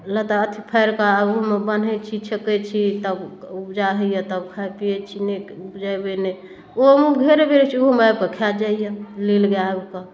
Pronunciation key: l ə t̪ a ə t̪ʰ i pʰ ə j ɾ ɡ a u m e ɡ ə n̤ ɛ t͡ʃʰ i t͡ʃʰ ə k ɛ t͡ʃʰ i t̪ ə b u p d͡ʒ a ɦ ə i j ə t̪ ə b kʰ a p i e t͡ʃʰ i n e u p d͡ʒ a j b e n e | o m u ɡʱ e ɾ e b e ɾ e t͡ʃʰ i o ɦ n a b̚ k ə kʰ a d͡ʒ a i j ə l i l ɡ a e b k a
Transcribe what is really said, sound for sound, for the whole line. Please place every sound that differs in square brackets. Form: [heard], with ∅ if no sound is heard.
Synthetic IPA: l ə t̪ a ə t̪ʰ i pʰ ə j ɾ [k] a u m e [b] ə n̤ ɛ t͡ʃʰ i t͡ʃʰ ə k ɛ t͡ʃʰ i t̪ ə b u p d͡ʒ a ɦ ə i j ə t̪ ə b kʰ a p i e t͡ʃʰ i n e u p d͡ʒ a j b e n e | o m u ɡʱ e ɾ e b e ɾ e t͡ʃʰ i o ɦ [m] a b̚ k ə kʰ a d͡ʒ a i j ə l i l ɡ a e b k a